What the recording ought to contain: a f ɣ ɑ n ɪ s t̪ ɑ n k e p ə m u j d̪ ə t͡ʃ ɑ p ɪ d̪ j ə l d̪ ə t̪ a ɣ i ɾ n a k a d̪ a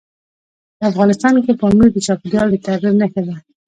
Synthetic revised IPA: a f ɣ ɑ n ɪ s t̪ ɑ n k e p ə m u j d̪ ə t͡ʃ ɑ p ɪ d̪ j ɑ l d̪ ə t̪ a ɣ i ɾ n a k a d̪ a